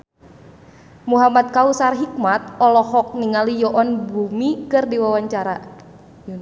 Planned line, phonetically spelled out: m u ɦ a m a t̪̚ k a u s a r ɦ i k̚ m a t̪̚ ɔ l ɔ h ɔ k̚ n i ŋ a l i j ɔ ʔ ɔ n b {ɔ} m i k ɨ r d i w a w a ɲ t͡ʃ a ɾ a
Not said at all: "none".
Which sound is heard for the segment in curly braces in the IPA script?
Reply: u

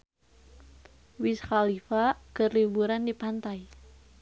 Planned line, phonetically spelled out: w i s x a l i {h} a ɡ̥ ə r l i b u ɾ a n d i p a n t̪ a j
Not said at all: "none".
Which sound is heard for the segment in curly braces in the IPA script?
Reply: f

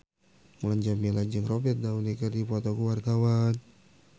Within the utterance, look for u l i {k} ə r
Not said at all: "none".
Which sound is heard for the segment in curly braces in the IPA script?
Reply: k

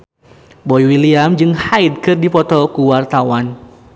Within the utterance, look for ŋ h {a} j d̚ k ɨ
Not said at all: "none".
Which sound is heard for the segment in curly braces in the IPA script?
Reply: a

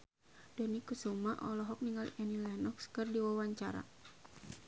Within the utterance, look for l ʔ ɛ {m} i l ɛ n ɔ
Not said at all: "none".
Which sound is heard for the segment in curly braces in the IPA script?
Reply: n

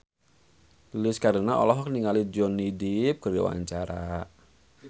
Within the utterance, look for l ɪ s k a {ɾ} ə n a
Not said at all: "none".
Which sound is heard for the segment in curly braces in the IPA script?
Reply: ɾ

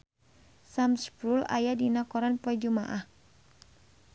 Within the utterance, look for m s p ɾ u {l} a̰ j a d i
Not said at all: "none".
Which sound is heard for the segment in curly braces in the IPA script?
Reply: l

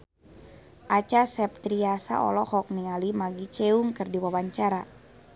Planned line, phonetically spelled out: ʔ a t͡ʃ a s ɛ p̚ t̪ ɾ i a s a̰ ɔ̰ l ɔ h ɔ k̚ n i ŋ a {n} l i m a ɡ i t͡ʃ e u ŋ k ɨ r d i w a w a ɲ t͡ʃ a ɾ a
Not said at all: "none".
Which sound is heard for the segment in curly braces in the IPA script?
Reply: none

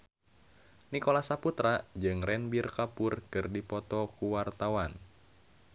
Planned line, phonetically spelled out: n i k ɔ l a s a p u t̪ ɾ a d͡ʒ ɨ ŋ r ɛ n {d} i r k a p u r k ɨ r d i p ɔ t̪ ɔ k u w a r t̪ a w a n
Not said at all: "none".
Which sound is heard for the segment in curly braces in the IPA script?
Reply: b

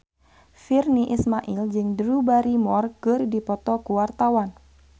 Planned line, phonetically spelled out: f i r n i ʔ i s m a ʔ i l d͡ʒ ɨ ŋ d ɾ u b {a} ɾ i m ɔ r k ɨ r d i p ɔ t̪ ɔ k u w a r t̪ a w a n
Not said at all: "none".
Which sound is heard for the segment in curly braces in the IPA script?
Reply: a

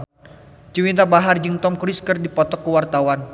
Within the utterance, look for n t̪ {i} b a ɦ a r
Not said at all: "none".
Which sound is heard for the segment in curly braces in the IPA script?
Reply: a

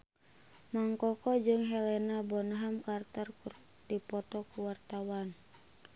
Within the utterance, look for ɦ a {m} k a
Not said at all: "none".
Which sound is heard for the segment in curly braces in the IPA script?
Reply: m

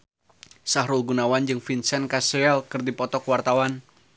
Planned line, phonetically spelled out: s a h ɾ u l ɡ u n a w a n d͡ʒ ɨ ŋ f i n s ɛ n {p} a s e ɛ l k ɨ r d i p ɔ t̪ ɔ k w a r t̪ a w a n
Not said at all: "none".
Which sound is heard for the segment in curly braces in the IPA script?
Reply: k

